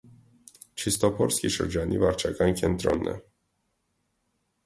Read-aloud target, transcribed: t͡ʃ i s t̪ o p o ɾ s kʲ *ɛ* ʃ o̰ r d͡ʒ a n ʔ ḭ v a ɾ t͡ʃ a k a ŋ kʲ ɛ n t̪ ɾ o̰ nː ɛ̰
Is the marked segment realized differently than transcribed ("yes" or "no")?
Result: yes